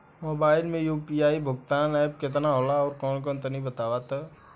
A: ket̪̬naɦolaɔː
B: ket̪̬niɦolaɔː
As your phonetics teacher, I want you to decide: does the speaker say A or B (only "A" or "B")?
A